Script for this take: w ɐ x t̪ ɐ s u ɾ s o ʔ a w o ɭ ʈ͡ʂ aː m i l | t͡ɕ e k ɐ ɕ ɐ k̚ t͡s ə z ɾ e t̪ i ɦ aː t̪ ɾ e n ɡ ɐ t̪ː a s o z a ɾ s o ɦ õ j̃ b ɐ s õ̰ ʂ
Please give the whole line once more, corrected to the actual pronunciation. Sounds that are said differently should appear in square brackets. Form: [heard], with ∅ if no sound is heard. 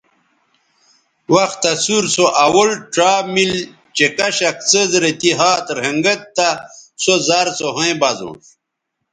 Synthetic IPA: w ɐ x t̪ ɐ s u ɾ s o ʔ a w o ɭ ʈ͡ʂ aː m i l | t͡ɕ e k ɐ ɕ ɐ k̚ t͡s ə z ɾ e t̪ i ɦ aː t̪ ɾ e [ŋ] ɡ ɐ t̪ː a s o z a ɾ s o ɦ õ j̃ b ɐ [z] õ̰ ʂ

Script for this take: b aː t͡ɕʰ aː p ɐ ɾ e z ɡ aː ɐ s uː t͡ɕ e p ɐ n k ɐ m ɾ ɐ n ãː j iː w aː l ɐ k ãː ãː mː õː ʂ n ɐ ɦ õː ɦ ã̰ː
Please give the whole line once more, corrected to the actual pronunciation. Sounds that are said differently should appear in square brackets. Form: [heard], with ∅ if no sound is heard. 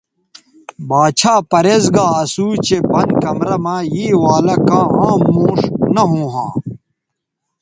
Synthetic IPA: b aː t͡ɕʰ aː p ɐ ɾ e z ɡ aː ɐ s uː t͡ɕ e p ɐ n k ɐ m ɾ ɐ [m] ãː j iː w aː l ɐ k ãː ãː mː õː ʂ n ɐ ɦ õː ɦ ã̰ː

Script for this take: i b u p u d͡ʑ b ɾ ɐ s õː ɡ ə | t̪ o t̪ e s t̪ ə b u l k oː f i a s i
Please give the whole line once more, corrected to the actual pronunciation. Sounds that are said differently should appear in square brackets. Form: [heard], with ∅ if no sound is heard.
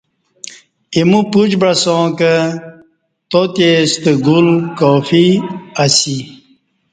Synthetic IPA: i [m] u p u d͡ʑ b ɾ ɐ s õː [k] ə | t̪ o t̪ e s t̪ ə [ɡ] u l k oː f i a s i

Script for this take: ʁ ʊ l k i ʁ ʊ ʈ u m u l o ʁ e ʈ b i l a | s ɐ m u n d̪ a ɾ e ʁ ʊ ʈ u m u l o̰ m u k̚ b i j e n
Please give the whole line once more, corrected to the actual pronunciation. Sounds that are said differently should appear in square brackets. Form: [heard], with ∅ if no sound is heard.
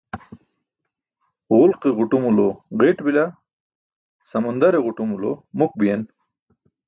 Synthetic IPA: ʁ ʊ l [q] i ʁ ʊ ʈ u m u l o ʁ e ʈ b i l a | s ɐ m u n d̪ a ɾ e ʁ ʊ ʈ u m u l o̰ m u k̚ b i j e n

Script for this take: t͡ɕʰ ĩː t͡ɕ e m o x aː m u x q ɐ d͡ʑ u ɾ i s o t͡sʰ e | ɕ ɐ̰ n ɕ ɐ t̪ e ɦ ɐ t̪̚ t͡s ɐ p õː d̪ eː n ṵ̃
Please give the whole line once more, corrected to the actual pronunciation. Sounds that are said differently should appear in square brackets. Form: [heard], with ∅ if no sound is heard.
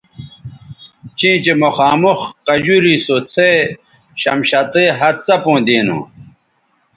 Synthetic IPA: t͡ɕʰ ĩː t͡ɕ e m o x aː m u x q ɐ d͡ʑ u ɾ i s o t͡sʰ e | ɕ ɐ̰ [m] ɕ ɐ t̪ e ɦ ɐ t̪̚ t͡s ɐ p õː d̪ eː n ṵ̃

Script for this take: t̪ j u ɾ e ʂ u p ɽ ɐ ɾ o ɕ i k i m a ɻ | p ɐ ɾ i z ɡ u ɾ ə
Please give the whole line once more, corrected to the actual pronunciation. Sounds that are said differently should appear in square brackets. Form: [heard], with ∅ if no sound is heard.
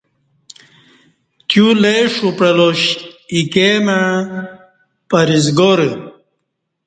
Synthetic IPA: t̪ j u [l] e ʂ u p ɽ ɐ [l] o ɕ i k [e] m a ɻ | p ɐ ɾ i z ɡ [o] ɾ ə

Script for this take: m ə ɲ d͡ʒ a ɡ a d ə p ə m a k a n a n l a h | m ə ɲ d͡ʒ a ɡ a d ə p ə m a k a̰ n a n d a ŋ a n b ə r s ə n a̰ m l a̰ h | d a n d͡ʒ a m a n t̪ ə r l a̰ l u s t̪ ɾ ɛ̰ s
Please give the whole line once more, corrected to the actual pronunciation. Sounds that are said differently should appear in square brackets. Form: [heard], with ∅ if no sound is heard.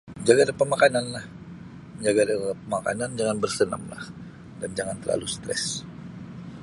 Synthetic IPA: m ə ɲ d͡ʒ a ɡ a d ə p ə m a k a n a n l a h | m ə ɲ d͡ʒ a ɡ a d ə p ə m a k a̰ n a n [d͡ʒ] a ŋ a n b ə r s ə n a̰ m l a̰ h | d a n d͡ʒ a [ŋ] a n t̪ ə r l a̰ l u s t̪ ɾ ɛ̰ s

